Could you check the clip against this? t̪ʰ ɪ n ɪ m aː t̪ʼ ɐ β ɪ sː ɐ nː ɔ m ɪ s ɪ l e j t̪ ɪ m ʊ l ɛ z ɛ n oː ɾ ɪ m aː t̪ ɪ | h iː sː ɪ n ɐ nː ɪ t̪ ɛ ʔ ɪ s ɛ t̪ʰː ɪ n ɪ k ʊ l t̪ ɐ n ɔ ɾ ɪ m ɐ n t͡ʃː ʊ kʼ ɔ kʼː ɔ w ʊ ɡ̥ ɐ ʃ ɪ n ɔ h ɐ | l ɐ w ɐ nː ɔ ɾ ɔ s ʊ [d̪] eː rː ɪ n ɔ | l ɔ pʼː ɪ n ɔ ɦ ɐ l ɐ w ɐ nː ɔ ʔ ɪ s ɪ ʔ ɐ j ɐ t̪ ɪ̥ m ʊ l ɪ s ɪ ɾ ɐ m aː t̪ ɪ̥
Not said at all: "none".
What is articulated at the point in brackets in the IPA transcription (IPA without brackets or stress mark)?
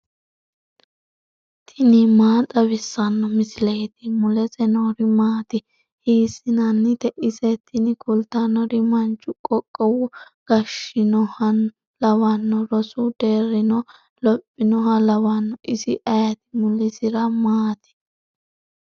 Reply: d̪